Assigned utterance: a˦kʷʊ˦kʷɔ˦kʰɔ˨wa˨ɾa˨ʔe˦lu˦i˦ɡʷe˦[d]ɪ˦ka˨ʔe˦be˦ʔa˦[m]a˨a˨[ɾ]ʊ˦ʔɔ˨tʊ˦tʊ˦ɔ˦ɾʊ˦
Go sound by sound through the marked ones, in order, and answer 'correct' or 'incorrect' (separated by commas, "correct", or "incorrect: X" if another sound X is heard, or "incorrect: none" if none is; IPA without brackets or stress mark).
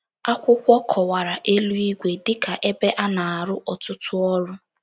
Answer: correct, incorrect: n, correct